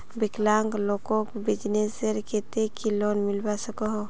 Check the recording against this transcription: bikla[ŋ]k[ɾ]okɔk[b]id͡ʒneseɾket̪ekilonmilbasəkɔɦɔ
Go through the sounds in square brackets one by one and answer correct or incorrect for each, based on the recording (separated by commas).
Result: correct, incorrect, correct